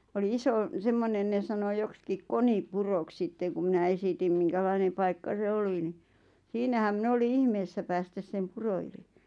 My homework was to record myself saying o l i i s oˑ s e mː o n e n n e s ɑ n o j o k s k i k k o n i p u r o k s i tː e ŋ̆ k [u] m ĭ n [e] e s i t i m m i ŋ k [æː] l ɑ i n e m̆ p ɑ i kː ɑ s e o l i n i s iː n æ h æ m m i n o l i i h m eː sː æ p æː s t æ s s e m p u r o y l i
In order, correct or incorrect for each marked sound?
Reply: correct, incorrect: æ, incorrect: æ

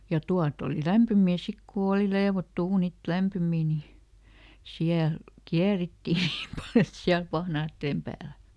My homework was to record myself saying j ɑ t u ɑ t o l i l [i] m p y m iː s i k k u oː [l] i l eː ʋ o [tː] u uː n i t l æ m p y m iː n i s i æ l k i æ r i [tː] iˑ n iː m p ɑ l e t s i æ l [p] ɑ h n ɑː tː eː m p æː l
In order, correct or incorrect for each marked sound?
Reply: incorrect: æ, correct, correct, correct, correct

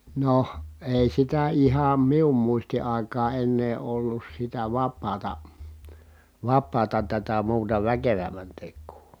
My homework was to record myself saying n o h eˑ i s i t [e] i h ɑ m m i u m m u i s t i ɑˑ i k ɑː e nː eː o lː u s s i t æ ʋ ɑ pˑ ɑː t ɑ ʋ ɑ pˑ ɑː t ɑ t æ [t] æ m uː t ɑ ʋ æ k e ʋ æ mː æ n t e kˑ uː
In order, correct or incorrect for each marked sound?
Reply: incorrect: æ, correct

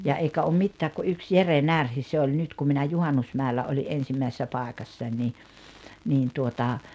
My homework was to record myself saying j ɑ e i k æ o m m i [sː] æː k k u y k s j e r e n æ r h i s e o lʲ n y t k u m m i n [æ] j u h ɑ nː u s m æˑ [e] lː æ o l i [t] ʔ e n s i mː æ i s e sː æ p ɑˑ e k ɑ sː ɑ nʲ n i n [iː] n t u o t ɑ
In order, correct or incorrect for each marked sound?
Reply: incorrect: tː, correct, correct, incorrect: ʔ, correct

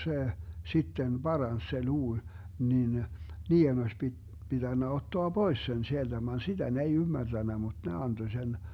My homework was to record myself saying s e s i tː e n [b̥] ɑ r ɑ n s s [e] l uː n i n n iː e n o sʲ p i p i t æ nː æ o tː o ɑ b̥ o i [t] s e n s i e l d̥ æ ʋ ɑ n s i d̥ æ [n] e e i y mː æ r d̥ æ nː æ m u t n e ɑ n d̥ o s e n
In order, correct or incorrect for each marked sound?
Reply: correct, correct, incorrect: s, correct

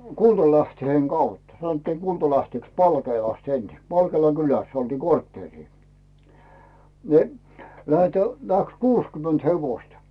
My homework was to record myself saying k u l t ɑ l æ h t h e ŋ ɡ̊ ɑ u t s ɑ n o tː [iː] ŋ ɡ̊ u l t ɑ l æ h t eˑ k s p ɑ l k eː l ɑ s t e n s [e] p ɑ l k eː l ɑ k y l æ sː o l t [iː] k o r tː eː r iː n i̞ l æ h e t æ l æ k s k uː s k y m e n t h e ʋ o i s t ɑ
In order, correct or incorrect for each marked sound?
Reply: correct, incorrect: i, correct

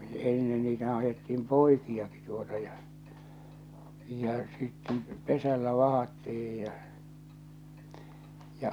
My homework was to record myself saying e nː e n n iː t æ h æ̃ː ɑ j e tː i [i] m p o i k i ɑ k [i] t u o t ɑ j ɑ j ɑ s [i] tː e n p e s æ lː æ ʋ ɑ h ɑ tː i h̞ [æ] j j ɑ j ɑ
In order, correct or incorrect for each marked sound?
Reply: correct, correct, correct, incorrect: i

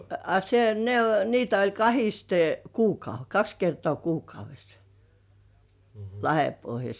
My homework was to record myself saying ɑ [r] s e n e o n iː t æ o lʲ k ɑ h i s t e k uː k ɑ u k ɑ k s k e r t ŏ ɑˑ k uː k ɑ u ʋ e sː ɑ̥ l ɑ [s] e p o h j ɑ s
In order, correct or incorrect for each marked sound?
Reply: incorrect: none, incorrect: h

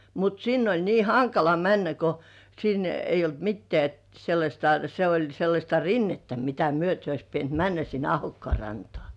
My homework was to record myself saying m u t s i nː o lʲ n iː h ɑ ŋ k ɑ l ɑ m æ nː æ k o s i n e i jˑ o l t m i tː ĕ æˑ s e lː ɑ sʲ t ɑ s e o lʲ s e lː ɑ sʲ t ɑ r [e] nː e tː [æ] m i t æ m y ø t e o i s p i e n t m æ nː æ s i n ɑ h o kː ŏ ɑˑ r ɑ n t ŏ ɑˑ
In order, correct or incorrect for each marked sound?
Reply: incorrect: i, correct

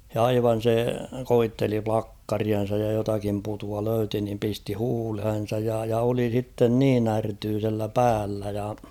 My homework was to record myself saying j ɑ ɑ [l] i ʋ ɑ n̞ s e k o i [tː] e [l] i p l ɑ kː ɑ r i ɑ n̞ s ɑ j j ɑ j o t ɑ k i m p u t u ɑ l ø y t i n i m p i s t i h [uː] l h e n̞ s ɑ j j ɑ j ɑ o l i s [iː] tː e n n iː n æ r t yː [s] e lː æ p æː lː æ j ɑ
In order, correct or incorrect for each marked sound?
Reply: incorrect: none, correct, correct, correct, incorrect: i, correct

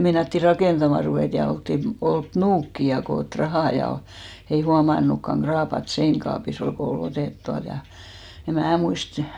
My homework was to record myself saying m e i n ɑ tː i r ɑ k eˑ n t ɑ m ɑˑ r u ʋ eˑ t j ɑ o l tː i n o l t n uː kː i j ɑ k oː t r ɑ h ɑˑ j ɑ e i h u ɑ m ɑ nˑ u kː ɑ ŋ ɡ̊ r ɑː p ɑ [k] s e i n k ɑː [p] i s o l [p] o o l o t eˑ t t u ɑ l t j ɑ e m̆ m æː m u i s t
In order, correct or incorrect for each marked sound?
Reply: incorrect: t, correct, incorrect: k

